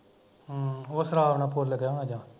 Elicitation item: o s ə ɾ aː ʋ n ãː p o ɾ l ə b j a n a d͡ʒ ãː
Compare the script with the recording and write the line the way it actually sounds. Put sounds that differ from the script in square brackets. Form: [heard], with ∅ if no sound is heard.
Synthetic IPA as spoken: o s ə ɾ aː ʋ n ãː p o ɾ l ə [ɡ] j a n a d͡ʒ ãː